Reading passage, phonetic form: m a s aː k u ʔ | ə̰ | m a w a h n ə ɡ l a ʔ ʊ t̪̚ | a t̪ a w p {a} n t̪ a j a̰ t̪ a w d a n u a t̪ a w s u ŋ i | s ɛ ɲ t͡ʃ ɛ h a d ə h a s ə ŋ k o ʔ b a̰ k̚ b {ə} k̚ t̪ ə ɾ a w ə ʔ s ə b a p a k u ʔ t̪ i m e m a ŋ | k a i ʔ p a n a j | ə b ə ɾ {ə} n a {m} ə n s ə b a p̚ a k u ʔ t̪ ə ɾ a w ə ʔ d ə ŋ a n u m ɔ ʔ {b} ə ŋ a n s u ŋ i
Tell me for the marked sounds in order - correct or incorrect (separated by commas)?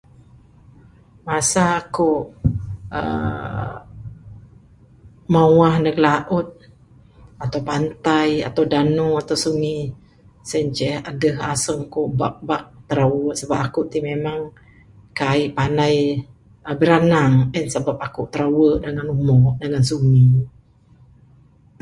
correct, incorrect, incorrect, incorrect, incorrect